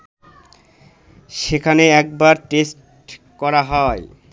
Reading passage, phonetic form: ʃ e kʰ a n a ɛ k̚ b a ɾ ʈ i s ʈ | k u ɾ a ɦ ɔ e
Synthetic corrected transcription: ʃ e kʰ a n e ɛ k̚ b a ɾ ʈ e s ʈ | k ɔ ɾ a ɦ ɔ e